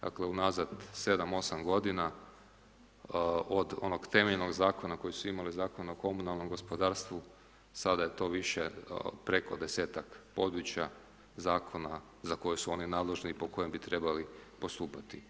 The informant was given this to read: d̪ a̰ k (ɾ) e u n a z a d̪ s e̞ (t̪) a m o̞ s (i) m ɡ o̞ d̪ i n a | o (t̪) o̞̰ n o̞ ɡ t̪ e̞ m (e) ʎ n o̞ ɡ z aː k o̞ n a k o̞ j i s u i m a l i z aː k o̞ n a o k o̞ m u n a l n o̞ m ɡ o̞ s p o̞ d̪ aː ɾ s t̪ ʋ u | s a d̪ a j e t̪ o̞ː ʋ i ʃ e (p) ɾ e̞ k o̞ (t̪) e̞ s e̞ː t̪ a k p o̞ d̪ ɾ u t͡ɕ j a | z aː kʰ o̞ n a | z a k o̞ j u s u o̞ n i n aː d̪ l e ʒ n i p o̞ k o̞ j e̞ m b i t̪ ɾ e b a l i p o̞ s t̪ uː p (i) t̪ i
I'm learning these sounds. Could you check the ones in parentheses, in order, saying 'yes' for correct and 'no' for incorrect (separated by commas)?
no, no, no, no, yes, yes, no, no